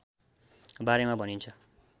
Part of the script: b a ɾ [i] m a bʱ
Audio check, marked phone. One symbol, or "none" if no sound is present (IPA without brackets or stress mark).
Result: e